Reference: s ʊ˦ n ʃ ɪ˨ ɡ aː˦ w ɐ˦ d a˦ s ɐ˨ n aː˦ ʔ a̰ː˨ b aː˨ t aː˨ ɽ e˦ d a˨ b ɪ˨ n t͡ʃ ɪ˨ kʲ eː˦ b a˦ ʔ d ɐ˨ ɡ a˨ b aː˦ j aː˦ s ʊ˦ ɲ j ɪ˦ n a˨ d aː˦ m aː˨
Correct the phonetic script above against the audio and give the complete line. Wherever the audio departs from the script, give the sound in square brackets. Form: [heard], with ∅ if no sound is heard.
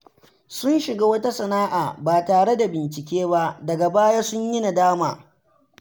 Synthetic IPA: s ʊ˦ n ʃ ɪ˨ ɡ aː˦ w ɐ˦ [t] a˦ s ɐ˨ n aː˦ ʔ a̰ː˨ b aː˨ t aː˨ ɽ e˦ d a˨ b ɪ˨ n t͡ʃ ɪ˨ kʲ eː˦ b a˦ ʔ d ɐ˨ ɡ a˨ b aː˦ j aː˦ s ʊ˦ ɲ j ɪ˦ n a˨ d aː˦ m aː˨